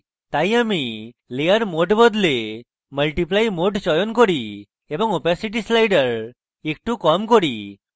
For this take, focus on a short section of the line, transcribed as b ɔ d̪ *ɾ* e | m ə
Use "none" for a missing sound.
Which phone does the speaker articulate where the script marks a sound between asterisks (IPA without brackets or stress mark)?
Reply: l